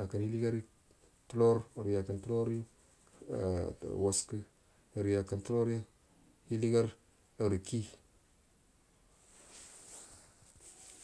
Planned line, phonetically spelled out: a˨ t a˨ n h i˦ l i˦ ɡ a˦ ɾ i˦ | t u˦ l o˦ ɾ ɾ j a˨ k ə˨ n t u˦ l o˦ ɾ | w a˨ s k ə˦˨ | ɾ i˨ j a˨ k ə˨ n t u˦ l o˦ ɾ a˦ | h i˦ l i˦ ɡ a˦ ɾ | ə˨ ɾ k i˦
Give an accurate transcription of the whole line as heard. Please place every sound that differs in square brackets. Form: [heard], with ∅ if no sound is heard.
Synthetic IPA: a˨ [k] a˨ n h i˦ l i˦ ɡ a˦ ɾ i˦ | t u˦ l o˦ ɾ ɾ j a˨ k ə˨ n t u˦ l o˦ ɾ | w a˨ s k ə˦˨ | ɾ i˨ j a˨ k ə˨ n t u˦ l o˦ ɾ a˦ | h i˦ l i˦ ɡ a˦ ɾ | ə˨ ɾ k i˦